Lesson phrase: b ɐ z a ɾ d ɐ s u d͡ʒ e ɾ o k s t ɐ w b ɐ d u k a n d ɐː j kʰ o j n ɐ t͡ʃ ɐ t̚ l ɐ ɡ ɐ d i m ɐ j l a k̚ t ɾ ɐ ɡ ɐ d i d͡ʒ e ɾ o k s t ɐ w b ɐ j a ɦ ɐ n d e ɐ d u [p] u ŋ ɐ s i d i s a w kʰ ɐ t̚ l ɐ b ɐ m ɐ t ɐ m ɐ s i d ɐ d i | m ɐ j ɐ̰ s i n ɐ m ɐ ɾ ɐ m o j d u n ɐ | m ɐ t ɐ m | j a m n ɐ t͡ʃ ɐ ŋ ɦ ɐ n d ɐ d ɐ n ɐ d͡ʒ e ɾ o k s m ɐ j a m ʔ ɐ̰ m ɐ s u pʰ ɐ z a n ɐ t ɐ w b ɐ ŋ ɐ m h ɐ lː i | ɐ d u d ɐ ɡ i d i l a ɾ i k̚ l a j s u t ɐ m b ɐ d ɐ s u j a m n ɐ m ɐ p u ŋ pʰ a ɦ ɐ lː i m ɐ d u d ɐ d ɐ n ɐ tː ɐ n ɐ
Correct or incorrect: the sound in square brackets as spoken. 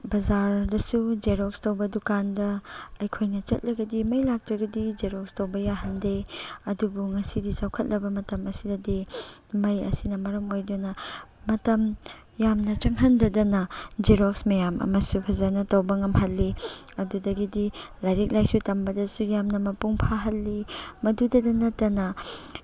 incorrect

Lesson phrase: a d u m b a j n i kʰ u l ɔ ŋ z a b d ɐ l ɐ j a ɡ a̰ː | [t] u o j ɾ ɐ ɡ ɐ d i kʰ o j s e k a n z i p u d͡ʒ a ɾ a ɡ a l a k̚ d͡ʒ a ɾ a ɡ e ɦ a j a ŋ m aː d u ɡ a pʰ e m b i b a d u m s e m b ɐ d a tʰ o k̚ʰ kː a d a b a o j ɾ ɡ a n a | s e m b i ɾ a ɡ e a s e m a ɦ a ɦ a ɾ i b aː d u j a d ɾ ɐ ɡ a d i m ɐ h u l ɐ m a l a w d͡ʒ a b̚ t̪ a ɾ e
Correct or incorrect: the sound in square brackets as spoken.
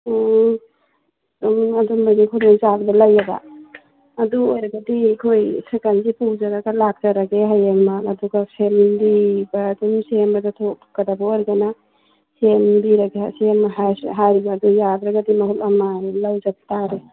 incorrect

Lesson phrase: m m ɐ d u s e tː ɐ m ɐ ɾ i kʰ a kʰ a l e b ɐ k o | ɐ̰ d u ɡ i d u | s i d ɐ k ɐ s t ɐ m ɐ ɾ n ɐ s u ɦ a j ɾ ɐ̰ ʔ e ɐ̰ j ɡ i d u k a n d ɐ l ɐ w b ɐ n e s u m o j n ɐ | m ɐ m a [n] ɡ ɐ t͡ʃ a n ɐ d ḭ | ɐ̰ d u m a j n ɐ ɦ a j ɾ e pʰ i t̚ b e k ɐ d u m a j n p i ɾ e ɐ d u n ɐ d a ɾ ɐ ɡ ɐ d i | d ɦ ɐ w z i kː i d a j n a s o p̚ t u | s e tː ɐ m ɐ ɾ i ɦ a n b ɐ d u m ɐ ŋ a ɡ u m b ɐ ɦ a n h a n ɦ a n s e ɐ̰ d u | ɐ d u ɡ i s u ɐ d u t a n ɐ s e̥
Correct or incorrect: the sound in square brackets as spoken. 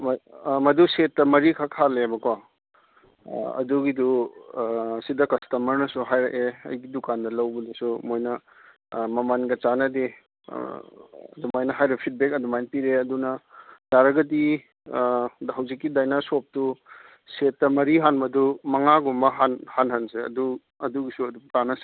correct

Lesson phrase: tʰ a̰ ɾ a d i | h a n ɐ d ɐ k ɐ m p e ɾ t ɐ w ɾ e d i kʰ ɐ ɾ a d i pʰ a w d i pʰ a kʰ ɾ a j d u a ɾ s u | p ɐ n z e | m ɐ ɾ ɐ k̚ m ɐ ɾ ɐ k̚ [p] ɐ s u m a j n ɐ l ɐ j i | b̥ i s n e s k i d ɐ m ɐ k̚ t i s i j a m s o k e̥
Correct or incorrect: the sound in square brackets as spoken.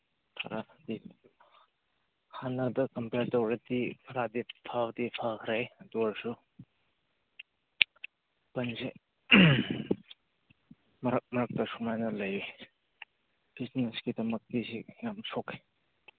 incorrect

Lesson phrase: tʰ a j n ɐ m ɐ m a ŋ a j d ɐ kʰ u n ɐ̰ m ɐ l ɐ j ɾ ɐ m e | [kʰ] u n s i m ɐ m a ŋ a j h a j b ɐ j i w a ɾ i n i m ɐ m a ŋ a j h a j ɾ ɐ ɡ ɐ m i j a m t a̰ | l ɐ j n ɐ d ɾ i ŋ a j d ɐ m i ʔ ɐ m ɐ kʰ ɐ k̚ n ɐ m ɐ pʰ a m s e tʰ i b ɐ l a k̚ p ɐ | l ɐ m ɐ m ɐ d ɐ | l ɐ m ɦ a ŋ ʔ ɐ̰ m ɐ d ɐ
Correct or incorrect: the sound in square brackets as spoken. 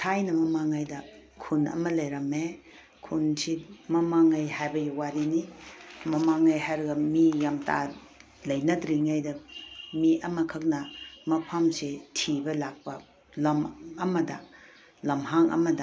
correct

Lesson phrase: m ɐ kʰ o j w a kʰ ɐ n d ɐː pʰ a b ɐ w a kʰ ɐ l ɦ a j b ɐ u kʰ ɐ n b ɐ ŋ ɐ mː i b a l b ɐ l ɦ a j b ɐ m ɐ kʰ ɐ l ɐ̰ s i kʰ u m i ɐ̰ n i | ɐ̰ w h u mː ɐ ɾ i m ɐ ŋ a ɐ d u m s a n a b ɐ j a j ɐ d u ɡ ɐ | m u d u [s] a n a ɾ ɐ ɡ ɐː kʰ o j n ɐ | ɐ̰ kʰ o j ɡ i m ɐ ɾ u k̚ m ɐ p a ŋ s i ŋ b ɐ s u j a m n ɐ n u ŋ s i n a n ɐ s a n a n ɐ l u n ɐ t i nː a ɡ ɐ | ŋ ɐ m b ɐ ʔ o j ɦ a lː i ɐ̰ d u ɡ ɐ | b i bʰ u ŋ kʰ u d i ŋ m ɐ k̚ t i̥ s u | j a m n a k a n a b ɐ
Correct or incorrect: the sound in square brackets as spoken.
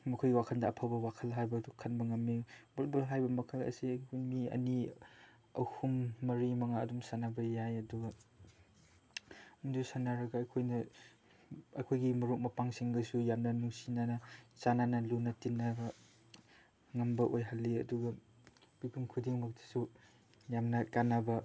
correct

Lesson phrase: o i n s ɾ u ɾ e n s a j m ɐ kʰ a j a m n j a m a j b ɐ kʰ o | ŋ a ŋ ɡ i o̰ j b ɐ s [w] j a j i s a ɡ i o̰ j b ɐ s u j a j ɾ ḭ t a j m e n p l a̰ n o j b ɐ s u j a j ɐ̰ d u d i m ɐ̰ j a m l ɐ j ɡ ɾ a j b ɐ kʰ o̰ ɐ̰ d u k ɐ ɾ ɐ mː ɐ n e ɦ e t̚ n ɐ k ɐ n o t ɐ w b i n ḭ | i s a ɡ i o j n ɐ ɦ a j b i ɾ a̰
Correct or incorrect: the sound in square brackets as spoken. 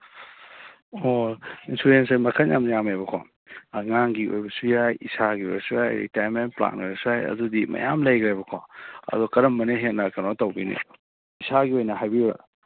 incorrect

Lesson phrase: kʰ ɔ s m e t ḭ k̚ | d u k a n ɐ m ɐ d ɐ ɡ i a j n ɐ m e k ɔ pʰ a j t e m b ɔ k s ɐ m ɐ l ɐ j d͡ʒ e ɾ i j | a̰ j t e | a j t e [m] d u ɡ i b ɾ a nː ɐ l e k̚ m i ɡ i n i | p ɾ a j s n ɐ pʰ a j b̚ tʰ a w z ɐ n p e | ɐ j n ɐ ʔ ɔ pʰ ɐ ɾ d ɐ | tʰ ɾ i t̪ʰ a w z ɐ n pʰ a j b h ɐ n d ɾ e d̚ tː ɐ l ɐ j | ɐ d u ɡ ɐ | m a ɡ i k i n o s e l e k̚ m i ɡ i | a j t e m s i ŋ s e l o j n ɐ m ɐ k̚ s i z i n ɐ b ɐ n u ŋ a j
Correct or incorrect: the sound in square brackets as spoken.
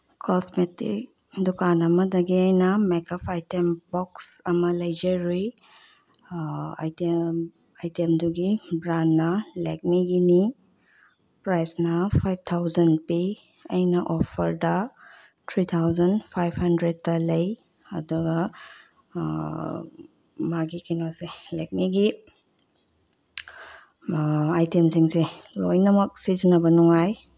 correct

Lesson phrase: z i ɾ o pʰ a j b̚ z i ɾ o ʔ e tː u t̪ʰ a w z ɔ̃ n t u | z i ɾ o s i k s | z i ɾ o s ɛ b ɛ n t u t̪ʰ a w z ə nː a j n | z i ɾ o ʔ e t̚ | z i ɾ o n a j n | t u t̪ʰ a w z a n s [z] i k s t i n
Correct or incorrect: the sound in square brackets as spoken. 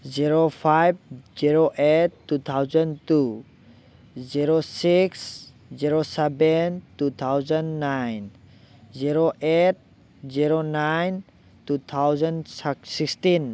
incorrect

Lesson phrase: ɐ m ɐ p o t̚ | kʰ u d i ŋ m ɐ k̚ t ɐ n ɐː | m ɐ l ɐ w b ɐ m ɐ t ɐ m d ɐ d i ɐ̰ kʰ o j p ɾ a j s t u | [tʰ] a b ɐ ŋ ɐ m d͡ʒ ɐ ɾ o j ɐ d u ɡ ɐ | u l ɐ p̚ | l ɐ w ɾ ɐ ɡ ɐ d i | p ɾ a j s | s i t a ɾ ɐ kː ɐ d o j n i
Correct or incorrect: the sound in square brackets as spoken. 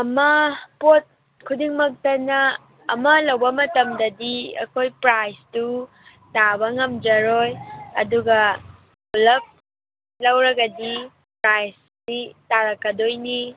incorrect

